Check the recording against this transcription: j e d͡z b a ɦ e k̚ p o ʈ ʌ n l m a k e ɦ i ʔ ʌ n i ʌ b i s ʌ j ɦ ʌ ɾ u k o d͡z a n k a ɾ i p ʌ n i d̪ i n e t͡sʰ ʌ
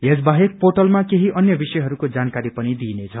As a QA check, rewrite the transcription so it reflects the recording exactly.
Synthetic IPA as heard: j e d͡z b a ɦ e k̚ p o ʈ ʌ l m a k e ɦ i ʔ ʌ n j ʌ b i s ʌ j ɦ ʌ ɾ u k o d͡z a n k a ɾ i p ʌ n i d̪ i n e t͡sʰ ʌ